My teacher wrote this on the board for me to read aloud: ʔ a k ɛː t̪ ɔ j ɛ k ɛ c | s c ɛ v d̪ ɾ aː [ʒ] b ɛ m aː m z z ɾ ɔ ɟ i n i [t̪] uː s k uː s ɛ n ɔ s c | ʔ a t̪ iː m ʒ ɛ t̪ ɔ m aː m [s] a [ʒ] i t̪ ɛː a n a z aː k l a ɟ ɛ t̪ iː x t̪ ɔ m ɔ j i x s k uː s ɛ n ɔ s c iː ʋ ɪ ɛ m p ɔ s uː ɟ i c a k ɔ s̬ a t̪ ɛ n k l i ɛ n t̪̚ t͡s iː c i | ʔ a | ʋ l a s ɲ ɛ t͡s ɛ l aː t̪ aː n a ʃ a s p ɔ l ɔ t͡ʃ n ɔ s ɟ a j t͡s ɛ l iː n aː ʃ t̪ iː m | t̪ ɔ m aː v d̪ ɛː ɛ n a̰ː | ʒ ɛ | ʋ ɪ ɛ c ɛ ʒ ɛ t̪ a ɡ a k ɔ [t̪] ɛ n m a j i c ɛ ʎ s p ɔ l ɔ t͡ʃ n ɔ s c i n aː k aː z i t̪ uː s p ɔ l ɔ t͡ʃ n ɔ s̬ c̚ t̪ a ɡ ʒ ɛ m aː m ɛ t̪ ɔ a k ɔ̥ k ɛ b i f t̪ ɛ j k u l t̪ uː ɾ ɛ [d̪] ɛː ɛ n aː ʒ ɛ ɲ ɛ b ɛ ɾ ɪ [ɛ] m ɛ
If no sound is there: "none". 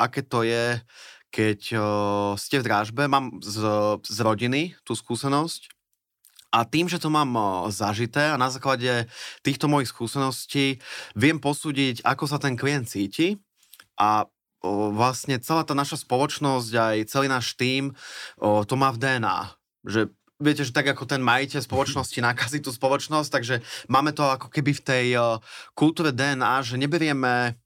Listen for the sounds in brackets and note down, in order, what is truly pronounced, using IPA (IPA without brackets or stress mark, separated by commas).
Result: ʒ, t̪, z, ʒ, t̪, d̪, ɛ